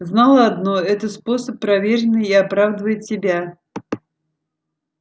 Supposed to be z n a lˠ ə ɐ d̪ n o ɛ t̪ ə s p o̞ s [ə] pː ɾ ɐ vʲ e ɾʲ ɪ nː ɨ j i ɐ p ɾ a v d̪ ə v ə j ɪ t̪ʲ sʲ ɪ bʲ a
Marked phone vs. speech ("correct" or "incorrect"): correct